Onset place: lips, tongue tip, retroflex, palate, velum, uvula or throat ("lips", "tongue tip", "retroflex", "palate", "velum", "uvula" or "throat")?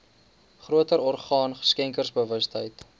uvula